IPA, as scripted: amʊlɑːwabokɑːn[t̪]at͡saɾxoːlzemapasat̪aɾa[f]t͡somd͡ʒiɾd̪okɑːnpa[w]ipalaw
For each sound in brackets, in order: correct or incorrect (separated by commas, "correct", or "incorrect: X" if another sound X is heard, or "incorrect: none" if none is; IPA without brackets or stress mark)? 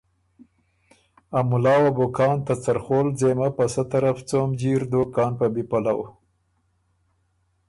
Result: correct, correct, incorrect: b